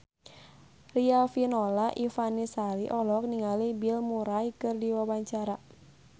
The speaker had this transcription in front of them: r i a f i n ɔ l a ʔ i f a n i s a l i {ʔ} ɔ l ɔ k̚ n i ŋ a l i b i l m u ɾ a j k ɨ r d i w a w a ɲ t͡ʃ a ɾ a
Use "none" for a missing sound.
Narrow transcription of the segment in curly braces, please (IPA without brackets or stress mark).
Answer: ʔ